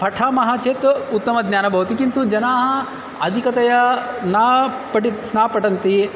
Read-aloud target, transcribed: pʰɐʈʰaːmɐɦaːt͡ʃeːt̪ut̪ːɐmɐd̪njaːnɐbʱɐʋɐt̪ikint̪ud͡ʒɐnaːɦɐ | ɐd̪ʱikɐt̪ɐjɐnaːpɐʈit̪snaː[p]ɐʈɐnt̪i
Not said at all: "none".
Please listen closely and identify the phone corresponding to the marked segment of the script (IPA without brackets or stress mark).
p